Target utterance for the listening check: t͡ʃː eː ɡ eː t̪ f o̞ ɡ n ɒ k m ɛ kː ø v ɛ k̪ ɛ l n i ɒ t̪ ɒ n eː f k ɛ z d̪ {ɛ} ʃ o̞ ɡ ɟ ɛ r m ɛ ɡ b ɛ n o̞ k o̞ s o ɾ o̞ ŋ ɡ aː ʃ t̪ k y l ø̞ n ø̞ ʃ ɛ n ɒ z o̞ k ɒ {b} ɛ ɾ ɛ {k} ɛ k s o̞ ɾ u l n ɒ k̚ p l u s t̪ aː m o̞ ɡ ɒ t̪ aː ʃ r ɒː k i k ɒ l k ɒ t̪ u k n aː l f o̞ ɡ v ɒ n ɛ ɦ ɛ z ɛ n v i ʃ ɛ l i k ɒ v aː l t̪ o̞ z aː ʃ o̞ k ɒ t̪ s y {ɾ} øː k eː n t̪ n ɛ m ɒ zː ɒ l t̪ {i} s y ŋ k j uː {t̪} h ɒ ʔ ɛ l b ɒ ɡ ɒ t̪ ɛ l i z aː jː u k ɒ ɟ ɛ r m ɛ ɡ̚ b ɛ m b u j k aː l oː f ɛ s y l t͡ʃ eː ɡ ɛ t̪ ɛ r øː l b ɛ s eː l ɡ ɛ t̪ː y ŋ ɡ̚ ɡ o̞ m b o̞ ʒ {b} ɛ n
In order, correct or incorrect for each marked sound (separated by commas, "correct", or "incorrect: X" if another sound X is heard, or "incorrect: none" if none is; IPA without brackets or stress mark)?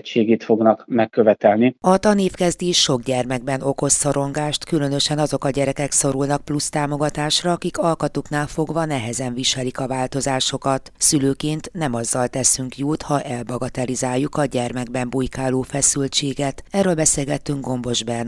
incorrect: i, incorrect: ɟ, correct, incorrect: l, incorrect: ɛ, correct, correct